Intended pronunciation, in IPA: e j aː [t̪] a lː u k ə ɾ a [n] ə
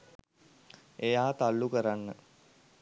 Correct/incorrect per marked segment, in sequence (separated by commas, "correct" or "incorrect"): correct, incorrect